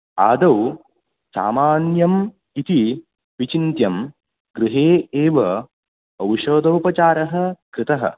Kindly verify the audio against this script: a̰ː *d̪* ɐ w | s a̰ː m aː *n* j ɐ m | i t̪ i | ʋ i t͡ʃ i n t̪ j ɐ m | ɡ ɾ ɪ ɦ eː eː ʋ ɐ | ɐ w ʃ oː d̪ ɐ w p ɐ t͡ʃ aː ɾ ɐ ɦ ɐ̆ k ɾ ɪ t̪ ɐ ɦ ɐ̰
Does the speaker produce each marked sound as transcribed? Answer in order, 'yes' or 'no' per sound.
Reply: yes, yes

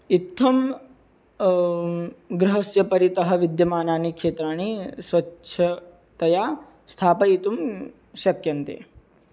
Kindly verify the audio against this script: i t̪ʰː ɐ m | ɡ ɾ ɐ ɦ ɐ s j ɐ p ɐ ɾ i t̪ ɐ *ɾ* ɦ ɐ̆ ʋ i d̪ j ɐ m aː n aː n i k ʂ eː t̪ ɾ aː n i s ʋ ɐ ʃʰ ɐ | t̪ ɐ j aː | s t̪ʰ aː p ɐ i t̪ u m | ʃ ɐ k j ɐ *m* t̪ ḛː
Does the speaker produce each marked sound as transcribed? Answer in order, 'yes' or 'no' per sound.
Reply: no, no

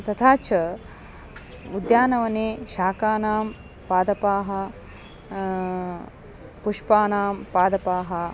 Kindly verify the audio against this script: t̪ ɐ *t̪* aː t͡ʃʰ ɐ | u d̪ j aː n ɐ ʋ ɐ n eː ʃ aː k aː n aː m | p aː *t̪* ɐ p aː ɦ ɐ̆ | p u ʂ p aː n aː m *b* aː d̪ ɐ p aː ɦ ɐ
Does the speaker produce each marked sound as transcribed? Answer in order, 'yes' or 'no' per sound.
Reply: no, no, no

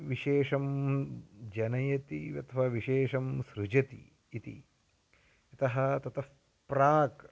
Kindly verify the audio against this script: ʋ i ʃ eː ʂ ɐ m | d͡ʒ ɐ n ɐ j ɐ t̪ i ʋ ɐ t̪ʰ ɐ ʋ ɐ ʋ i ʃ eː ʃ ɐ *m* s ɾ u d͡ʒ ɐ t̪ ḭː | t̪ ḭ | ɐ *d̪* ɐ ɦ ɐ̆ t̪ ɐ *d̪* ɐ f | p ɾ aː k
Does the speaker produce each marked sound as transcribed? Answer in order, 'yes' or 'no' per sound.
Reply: yes, no, no

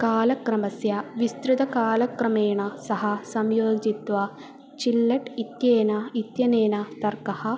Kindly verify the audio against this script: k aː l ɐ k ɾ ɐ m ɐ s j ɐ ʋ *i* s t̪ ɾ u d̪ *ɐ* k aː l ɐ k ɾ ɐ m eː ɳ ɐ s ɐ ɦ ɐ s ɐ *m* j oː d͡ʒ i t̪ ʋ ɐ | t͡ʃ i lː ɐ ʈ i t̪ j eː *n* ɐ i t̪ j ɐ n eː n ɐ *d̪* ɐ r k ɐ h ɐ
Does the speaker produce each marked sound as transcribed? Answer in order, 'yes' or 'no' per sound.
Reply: yes, yes, yes, yes, no

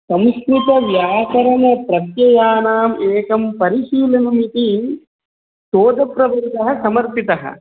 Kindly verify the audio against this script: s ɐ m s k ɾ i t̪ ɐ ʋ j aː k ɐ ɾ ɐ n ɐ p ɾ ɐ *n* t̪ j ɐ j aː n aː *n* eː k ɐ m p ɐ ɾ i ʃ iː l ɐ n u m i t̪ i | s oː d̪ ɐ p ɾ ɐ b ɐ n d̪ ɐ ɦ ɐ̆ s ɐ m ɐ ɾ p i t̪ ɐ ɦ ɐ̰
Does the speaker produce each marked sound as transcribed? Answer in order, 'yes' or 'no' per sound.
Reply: no, no

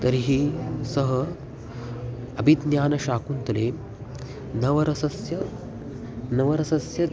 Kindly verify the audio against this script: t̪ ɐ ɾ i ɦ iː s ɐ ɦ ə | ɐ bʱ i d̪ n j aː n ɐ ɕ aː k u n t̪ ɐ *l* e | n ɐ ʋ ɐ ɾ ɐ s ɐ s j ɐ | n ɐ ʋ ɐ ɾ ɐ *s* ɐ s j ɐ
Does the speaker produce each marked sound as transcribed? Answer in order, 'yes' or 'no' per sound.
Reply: yes, yes

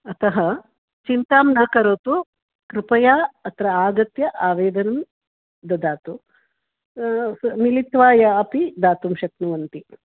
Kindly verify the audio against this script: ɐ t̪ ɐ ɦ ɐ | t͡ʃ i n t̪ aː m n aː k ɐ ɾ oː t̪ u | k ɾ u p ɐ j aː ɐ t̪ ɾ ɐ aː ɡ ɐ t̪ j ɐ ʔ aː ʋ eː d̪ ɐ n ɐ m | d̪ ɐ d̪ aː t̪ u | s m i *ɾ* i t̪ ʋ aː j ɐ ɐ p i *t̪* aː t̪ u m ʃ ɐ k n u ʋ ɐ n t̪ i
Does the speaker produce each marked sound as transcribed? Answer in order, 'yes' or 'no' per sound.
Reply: no, no

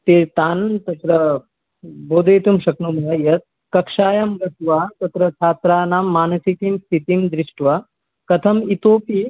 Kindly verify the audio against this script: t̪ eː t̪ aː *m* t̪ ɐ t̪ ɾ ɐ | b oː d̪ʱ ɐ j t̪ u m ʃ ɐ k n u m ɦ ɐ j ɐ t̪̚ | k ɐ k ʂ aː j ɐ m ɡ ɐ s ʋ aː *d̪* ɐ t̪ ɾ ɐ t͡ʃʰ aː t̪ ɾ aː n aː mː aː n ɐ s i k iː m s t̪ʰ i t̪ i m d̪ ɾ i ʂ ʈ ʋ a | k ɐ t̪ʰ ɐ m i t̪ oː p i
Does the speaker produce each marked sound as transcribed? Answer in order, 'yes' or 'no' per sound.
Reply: no, no

